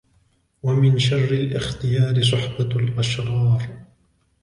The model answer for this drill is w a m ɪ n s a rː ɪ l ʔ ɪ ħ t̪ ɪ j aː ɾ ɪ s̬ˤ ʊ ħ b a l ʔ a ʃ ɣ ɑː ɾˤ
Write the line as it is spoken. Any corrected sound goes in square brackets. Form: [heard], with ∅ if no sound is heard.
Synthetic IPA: w a m ɪ n [ʃ] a rː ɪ l ʔ ɪ [x] t̪ ɪ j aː ɾ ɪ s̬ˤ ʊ ħ b a l ʔ a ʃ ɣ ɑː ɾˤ